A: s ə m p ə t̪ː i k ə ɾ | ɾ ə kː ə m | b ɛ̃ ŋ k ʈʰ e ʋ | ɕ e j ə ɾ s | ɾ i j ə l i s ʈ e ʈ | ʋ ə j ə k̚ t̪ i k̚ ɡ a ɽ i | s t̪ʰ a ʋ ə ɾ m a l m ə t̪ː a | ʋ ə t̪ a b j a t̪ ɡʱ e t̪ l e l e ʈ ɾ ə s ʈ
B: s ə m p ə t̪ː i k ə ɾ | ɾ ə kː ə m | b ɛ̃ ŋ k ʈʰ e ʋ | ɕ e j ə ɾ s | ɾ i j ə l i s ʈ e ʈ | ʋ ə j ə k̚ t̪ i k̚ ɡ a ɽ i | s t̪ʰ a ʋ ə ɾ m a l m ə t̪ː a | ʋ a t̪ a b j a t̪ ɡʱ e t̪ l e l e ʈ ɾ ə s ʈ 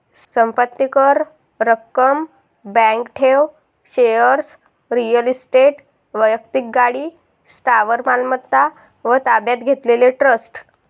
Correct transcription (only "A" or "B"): A